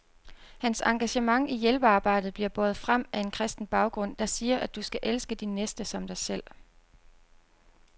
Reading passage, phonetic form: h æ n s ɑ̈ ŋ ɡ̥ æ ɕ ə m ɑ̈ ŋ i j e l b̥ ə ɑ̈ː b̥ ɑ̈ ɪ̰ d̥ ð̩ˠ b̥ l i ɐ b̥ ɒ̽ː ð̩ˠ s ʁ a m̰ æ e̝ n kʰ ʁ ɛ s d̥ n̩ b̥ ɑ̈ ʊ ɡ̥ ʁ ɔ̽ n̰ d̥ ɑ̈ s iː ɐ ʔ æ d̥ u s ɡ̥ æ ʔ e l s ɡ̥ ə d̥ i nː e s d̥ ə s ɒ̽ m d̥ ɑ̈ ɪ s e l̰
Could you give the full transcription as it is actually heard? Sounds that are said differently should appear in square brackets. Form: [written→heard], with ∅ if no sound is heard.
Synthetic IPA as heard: h æ n s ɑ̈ ŋ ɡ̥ æ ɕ ə m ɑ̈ ŋ i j e l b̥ ə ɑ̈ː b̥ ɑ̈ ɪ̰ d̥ ð̩ˠ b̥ l i ɐ b̥ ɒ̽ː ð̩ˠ [s→f] ʁ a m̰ æ e̝ n kʰ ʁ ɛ s d̥ n̩ b̥ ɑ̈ ʊ ɡ̥ ʁ ɔ̽ n̰ d̥ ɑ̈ s iː ɐ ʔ æ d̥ u s ɡ̥ æ ʔ e l s ɡ̥ ə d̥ i nː e s d̥ ə s ɒ̽ m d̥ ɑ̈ ɪ s e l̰